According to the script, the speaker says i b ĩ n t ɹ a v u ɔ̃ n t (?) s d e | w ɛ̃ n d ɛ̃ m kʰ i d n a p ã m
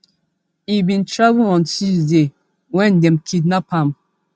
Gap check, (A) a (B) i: B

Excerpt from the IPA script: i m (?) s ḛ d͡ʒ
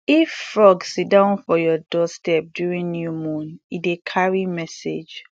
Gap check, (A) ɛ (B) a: A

